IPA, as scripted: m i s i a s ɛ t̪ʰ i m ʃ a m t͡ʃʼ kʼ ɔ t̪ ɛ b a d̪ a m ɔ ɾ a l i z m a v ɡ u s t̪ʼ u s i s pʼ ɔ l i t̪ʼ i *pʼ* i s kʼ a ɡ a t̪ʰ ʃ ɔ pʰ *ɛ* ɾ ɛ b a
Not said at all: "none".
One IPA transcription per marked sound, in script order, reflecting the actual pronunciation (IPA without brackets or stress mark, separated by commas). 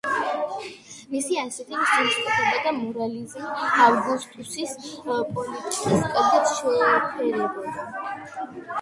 kʼ, ɛ